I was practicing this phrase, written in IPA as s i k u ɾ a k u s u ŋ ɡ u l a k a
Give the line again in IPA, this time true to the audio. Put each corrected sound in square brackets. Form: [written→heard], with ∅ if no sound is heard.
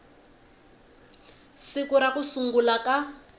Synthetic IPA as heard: s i k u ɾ a k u s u ŋ ɡ u l a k a